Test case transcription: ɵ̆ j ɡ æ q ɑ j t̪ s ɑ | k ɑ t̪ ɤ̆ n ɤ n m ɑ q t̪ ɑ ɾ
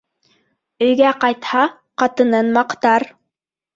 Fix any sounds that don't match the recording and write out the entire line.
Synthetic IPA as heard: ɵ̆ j ɡ æ q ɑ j t̪ h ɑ | q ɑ t̪ ɤ̆ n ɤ n m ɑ q t̪ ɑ ɾ